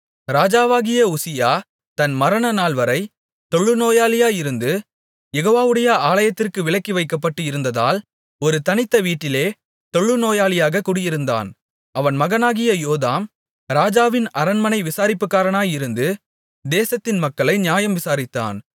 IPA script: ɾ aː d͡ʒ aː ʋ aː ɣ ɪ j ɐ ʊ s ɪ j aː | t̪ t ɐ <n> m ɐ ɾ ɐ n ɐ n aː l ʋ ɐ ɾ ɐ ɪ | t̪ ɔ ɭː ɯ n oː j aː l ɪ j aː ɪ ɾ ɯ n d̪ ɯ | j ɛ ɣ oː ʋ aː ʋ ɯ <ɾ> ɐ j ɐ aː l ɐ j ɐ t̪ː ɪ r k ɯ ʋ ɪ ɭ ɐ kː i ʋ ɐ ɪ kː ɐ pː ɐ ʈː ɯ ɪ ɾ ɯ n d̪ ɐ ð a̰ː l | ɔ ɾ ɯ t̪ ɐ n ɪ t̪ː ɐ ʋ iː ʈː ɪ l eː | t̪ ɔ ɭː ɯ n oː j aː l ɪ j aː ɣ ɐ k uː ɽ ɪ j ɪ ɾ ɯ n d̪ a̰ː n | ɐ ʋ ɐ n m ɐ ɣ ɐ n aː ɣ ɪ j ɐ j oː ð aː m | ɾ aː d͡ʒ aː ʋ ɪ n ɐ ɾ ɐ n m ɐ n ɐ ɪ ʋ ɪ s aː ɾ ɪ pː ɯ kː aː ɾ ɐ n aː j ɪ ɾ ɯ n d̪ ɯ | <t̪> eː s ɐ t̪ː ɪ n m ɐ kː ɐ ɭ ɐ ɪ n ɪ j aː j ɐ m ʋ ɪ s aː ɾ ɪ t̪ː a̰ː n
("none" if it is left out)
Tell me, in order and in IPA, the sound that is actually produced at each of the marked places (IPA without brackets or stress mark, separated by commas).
n, ɽ, d̪